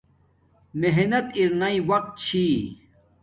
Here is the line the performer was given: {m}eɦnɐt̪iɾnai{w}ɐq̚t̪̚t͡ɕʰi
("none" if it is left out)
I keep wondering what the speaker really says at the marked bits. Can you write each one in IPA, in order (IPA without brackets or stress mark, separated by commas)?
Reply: m, w